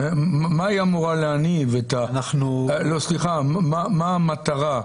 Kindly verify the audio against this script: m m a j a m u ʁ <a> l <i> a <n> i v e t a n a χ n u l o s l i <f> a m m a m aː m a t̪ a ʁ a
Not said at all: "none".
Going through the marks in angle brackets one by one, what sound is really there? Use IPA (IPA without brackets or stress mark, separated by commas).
a, e, n, χ